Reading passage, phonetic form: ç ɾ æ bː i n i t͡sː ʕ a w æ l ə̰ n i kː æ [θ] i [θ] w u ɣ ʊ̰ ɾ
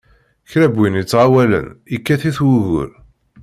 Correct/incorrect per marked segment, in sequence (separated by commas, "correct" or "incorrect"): correct, correct